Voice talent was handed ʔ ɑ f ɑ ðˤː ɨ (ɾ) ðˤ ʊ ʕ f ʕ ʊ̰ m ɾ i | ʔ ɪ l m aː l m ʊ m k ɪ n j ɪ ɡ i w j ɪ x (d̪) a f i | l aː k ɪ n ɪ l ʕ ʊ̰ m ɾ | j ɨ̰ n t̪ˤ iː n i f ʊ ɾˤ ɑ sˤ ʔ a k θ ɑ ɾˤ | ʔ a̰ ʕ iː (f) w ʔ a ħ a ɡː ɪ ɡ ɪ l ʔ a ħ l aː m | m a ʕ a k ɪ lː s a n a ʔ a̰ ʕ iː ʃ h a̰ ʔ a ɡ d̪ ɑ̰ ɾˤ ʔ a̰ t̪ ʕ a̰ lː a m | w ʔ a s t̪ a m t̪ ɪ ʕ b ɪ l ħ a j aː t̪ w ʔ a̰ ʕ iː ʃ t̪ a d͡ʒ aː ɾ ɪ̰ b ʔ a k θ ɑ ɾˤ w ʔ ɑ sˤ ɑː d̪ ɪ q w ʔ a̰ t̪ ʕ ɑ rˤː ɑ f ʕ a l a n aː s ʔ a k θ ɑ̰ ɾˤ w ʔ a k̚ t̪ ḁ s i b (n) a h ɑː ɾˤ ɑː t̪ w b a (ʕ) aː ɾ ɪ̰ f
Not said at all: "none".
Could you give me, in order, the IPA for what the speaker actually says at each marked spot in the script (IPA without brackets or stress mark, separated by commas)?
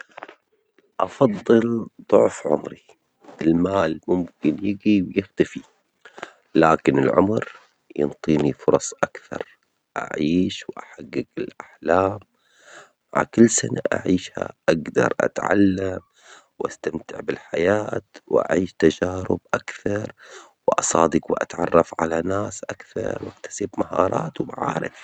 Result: l, t̪, ʃ, m, ʕ